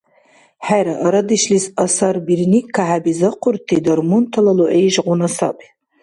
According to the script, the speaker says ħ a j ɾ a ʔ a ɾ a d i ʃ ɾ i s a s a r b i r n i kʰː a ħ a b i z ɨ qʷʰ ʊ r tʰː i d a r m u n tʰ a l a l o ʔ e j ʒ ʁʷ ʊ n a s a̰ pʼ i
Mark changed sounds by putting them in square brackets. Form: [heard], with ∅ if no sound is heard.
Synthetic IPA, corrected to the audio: ħ a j ɾ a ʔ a ɾ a d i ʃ [l] i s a s a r b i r n i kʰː a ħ a b i z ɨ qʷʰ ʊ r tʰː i d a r m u n tʰ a l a l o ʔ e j ʒ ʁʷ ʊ n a s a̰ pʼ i